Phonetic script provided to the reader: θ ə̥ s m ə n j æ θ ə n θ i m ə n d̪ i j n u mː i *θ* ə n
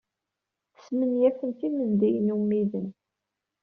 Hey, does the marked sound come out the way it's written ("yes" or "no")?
no